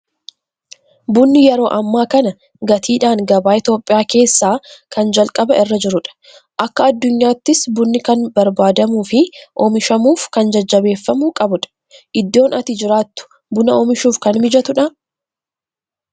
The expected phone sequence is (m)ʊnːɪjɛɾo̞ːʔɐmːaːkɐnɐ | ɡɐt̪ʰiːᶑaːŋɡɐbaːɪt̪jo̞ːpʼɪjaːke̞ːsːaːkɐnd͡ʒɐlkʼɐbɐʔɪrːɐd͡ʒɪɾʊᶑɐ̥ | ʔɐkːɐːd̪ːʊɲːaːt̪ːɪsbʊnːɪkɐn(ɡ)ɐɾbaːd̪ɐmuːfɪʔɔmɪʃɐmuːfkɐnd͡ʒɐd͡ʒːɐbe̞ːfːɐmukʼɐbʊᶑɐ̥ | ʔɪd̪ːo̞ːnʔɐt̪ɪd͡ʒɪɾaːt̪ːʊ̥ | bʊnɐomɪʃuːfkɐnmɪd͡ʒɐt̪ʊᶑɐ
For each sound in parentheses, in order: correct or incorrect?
incorrect, incorrect

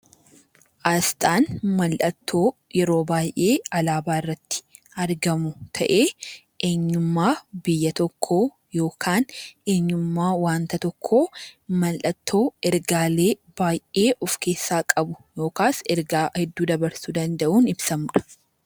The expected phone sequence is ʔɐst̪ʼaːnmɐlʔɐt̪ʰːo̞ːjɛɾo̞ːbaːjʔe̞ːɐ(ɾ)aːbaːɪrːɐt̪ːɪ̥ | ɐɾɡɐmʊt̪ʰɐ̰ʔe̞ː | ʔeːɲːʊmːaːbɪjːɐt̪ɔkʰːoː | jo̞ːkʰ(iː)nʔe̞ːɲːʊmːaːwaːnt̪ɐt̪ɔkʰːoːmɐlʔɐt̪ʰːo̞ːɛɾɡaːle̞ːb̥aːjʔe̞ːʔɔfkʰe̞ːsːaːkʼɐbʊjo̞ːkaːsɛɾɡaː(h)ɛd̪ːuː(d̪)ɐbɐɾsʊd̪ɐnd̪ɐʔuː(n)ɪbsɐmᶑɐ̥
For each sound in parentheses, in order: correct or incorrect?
incorrect, incorrect, correct, correct, correct

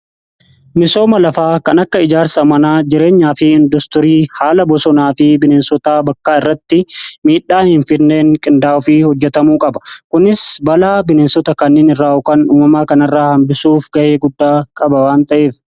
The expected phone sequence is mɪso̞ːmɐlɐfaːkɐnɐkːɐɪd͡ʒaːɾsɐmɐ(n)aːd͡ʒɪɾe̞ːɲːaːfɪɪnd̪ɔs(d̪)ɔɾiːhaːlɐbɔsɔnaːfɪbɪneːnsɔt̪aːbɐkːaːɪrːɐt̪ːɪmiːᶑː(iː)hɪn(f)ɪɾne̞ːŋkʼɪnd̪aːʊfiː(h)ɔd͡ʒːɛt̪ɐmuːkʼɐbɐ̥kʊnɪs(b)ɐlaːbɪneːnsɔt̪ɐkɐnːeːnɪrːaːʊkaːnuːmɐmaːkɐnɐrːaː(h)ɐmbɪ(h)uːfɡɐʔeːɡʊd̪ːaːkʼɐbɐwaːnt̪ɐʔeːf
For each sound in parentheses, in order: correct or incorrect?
correct, incorrect, incorrect, correct, correct, correct, correct, incorrect

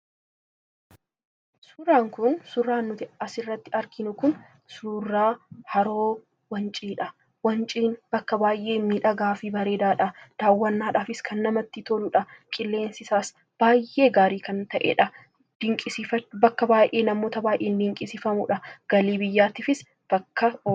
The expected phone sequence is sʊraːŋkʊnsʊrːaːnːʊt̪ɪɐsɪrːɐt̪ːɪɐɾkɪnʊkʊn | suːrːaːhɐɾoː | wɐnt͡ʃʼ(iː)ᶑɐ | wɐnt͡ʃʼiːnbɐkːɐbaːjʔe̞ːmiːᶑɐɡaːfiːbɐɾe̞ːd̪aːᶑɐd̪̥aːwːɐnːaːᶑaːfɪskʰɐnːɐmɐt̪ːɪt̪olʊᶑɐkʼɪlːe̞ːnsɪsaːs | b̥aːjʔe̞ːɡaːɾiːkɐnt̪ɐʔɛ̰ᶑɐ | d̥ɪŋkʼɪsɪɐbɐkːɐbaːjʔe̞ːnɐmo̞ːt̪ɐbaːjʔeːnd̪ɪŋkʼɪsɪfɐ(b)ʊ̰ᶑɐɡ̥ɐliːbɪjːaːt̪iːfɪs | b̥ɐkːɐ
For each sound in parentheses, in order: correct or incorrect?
correct, incorrect

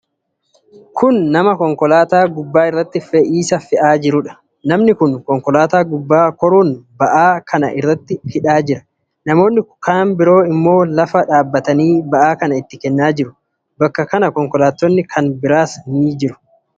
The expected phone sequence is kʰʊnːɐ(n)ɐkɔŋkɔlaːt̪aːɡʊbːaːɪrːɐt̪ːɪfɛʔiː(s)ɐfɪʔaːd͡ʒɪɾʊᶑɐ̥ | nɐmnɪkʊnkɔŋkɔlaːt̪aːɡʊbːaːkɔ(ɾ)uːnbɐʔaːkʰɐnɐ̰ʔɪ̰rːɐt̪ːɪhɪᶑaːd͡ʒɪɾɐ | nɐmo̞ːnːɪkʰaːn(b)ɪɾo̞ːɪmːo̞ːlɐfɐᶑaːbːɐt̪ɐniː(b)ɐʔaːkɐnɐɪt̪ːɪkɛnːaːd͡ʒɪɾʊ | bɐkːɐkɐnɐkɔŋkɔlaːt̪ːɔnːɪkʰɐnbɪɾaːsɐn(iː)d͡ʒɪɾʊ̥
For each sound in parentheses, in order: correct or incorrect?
incorrect, correct, correct, correct, correct, correct

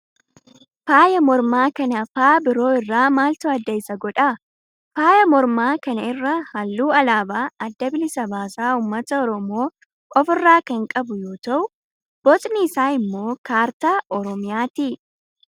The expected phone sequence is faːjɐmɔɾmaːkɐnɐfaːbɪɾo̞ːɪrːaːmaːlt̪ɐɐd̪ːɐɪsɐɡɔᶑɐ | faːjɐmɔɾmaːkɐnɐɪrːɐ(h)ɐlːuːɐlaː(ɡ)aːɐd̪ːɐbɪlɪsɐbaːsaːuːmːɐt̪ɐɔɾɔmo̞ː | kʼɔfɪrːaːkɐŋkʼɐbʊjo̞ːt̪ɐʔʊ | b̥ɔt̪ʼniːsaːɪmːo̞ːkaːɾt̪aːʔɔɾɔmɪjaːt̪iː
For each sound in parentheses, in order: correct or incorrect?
correct, incorrect

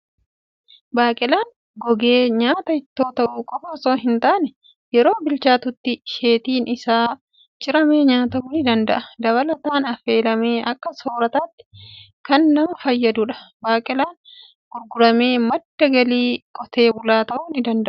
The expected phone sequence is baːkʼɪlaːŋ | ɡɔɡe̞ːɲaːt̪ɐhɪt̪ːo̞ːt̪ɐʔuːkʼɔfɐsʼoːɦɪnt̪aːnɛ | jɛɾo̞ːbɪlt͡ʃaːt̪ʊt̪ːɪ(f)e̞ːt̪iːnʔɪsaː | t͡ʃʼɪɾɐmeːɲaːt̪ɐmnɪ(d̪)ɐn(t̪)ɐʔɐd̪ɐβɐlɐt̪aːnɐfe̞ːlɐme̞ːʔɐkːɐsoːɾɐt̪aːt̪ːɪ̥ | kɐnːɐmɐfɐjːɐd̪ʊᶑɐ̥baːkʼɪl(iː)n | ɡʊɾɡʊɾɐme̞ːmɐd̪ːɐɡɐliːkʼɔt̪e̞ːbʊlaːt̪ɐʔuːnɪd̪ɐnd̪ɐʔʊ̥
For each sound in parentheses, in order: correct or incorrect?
incorrect, correct, incorrect, incorrect

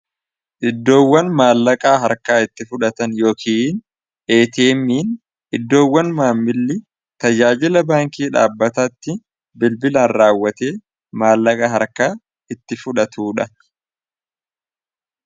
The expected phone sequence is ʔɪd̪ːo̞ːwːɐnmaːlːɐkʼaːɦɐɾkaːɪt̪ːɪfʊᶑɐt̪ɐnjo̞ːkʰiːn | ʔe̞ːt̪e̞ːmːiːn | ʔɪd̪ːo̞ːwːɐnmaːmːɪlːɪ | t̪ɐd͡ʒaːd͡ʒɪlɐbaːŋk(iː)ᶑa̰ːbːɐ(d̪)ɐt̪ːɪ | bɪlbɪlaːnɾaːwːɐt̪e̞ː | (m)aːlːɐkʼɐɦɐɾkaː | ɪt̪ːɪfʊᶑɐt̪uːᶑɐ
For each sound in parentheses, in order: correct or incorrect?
correct, incorrect, correct

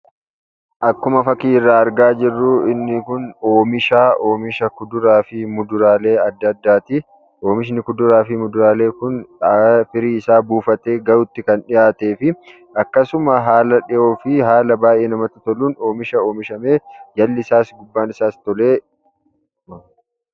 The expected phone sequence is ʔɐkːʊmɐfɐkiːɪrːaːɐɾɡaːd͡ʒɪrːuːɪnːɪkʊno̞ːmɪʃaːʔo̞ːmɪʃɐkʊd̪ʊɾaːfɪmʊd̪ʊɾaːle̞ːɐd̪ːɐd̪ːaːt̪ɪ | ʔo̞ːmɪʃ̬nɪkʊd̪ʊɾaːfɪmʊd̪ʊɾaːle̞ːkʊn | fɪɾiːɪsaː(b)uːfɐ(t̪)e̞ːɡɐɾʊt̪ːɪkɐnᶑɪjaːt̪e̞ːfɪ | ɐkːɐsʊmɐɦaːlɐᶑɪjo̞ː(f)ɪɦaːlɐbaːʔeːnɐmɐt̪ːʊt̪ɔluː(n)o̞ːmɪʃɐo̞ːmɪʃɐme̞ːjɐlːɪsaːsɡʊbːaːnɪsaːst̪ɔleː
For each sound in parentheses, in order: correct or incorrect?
correct, correct, correct, correct

